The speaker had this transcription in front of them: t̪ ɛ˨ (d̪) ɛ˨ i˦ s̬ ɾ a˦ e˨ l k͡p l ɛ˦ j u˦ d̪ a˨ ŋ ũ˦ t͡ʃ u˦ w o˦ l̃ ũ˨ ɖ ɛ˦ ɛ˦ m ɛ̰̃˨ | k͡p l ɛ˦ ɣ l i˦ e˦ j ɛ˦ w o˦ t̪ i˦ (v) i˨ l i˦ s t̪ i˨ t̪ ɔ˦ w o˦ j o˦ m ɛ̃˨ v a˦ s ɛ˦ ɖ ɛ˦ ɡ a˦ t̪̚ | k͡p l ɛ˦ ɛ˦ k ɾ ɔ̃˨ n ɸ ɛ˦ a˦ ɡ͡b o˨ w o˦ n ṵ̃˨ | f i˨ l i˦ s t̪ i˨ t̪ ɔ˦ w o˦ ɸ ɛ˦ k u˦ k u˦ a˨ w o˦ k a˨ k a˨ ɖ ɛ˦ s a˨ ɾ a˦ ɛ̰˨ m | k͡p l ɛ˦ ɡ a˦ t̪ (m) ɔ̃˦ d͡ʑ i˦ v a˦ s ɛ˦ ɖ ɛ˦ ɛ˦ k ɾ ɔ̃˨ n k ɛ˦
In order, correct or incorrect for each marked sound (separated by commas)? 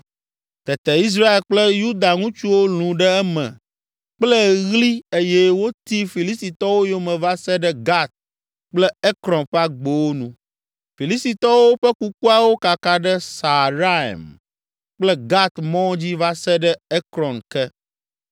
incorrect, incorrect, correct